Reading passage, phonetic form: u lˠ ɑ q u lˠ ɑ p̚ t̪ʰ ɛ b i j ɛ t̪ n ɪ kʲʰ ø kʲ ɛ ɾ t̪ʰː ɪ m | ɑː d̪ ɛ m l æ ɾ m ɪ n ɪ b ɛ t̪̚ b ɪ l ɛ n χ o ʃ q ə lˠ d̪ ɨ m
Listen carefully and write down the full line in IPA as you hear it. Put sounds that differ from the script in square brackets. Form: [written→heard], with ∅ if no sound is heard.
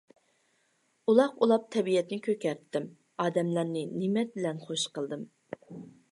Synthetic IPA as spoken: u lˠ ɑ q u lˠ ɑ p̚ t̪ʰ ɛ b i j ɛ t̪ n ɪ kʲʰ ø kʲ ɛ ɾ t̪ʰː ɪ m | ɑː d̪ ɛ m l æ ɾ [m→n] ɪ n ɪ [b→m] ɛ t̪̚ b ɪ l ɛ n χ o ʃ q ə lˠ d̪ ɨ m

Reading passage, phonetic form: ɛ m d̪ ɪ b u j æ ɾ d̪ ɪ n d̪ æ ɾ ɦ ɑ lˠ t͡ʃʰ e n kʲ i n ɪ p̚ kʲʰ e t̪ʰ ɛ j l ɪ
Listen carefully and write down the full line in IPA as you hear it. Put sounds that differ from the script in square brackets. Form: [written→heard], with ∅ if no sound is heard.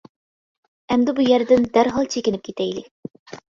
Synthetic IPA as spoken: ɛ m d̪ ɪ b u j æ ɾ d̪ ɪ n d̪ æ ɾ ɦ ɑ lˠ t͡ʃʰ e [n→∅] kʲ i n ɪ p̚ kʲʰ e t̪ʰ ɛ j l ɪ

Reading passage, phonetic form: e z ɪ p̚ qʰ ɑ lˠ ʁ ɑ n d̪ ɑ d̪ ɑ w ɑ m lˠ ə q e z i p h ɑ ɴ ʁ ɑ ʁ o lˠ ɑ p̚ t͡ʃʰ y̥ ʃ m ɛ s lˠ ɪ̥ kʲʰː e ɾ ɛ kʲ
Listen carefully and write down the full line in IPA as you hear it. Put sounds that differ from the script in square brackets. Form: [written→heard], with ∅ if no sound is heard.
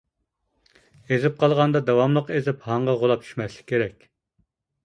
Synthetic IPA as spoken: e z ɪ p̚ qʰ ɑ lˠ ʁ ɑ n d̪ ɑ d̪ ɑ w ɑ m lˠ ə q e z [i→ɪ] p h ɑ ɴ ʁ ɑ ʁ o lˠ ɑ p̚ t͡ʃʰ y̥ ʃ m ɛ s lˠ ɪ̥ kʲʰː e ɾ ɛ kʲ

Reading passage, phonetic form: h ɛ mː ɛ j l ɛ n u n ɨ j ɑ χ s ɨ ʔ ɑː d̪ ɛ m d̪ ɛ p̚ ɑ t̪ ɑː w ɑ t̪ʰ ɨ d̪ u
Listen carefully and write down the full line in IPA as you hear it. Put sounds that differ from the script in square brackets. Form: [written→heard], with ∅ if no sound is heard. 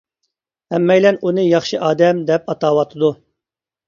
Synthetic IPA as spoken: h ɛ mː ɛ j l ɛ n u n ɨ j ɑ χ [s→ʃ] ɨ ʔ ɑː d̪ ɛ m d̪ ɛ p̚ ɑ t̪ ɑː w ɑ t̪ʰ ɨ d̪ u

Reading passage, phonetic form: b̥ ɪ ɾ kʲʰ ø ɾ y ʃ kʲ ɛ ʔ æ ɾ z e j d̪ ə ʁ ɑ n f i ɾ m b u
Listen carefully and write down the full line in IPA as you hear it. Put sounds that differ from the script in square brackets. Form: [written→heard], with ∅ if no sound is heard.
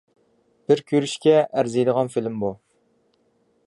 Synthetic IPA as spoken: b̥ ɪ ɾ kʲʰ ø ɾ y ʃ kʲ ɛ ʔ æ ɾ z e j d̪ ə ʁ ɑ n f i [ɾ→l] m b u

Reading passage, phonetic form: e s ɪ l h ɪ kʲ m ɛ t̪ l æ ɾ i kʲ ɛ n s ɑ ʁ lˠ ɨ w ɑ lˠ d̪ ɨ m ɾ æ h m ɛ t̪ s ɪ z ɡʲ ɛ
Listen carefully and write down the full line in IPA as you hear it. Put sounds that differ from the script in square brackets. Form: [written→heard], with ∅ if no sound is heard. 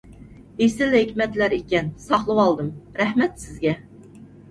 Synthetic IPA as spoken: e s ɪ l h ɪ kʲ m ɛ t̪ l æ ɾ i kʲ ɛ n s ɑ [ʁ→χ] lˠ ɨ w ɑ lˠ d̪ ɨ m ɾ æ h m ɛ t̪ s ɪ z ɡʲ ɛ

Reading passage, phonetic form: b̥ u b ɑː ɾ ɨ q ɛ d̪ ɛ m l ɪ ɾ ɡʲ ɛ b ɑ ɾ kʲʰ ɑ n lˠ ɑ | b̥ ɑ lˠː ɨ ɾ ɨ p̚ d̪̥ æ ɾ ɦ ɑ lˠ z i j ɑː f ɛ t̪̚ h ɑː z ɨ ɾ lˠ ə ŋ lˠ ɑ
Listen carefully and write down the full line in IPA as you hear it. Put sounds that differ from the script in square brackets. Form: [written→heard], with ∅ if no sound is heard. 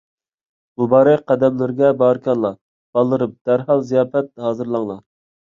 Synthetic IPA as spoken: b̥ u b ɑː ɾ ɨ q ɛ d̪ ɛ m l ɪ ɾ ɡʲ ɛ b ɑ ɾ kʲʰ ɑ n lˠ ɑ | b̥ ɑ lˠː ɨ ɾ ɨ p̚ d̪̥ æ ɾ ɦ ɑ lˠ z i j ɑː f ɛ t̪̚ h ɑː z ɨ ɾ lˠ [ə→ɑ] ŋ lˠ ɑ

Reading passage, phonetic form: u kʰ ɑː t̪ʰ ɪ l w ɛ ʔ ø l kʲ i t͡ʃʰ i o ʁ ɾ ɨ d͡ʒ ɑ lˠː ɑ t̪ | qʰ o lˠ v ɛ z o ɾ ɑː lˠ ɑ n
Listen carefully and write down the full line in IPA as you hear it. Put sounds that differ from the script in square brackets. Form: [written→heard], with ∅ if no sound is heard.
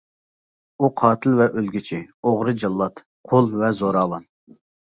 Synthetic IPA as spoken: u [kʰ→qʰ] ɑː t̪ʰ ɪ l [w→v] ɛ ʔ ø l [kʲ→ɡʲ] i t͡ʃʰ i o ʁ ɾ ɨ d͡ʒ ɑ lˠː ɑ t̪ | qʰ o lˠ v ɛ z o ɾ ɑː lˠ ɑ n

